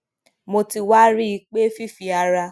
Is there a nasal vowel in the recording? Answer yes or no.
no